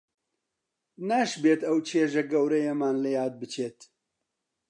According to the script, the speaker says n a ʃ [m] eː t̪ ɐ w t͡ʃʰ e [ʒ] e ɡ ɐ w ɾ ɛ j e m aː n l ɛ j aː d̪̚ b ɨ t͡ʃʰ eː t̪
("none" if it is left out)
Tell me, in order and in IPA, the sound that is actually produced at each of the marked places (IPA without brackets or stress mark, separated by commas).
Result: b, ʒ